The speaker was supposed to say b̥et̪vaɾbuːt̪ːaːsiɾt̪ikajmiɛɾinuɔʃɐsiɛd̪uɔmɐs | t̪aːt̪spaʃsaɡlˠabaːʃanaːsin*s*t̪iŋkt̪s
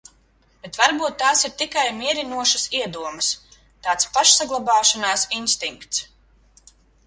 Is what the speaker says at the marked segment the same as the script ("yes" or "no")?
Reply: yes